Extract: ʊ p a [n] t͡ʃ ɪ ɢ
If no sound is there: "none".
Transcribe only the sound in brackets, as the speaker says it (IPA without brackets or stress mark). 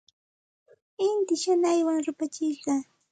none